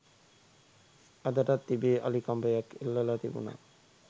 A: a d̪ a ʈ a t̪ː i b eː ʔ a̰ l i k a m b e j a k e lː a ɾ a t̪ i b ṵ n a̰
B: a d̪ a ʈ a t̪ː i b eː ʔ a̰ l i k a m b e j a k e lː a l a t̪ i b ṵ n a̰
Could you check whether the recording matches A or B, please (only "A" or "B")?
B